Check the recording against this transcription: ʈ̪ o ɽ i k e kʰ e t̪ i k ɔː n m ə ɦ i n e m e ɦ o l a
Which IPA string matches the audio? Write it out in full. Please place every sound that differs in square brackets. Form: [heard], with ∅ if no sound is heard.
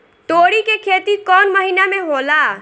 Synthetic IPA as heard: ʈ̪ o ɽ i k e kʰ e t̪ i k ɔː n m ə ɦ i n [a] m e ɦ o l a